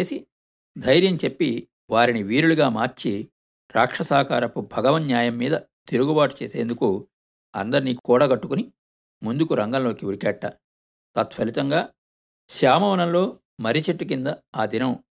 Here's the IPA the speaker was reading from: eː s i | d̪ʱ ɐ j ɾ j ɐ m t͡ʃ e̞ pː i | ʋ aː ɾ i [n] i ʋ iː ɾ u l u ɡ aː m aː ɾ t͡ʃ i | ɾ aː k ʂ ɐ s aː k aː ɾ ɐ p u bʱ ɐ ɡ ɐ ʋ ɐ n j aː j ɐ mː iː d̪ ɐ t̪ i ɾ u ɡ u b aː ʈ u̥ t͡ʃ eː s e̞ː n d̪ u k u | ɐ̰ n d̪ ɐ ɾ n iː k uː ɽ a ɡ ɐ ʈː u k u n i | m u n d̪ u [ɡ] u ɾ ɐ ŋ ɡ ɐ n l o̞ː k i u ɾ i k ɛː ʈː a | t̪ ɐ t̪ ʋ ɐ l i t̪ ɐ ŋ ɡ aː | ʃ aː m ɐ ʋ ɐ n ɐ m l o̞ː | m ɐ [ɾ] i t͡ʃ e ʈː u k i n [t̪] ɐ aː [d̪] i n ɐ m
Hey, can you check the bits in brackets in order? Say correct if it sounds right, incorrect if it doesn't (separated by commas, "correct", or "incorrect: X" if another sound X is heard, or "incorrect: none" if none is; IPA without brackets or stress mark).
correct, incorrect: k, correct, incorrect: d̪, correct